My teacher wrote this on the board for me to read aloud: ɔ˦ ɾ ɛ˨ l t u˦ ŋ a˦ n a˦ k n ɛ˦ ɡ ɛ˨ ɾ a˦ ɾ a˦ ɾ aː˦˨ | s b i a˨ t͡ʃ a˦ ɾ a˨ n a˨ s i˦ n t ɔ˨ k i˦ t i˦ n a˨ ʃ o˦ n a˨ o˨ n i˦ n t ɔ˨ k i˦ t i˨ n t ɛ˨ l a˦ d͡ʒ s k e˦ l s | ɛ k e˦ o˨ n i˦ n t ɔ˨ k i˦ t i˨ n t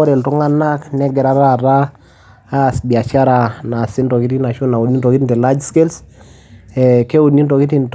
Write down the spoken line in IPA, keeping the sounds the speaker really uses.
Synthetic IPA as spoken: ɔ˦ ɾ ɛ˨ l t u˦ ŋ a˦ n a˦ k n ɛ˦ ɡ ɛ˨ ɾ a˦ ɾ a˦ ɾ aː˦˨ | s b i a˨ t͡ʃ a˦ ɾ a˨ n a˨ s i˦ n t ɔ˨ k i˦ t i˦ n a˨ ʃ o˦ n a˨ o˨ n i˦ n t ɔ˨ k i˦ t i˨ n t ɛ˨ l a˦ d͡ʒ s k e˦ l s | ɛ k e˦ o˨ n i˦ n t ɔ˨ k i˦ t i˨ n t